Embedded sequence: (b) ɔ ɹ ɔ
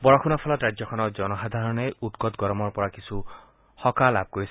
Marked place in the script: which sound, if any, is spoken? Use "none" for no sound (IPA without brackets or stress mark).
b